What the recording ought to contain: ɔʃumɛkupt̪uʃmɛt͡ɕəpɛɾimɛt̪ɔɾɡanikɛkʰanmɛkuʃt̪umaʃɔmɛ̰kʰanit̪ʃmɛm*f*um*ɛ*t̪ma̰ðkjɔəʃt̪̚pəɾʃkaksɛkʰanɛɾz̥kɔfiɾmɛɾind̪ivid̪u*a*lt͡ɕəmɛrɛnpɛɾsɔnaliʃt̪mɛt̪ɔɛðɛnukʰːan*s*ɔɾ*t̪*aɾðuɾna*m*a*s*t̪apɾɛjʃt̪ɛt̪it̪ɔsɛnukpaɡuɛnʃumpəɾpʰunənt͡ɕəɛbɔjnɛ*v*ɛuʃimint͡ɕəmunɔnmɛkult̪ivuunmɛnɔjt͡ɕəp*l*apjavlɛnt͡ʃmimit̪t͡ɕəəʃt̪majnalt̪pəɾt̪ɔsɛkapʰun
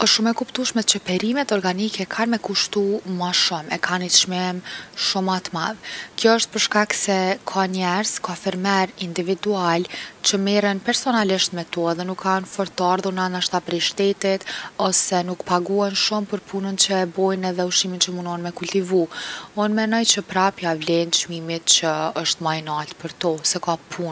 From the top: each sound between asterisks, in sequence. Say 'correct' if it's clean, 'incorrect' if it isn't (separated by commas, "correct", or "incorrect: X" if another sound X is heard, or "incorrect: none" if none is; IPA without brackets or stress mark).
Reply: incorrect: ʃ, incorrect: a, correct, incorrect: f, correct, incorrect: n, incorrect: ʃ, incorrect: ð, incorrect: ɾ